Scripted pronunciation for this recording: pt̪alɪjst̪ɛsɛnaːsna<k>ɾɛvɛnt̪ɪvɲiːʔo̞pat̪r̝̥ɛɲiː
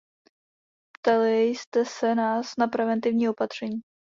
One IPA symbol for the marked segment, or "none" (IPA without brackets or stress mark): p